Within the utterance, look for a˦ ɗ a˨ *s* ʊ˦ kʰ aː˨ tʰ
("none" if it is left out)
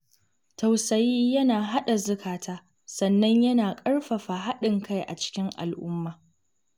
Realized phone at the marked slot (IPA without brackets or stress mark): z